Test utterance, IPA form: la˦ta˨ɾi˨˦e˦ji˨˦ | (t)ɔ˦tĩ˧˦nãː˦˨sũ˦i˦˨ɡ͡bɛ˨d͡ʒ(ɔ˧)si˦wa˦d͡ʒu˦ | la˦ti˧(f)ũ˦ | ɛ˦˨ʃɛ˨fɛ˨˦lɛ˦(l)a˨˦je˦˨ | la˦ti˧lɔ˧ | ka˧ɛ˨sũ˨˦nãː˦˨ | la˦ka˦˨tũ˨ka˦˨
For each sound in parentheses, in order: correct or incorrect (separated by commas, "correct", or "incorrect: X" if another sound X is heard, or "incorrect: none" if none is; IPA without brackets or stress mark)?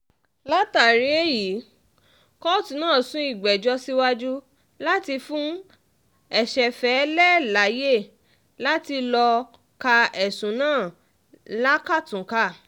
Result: incorrect: k, correct, correct, correct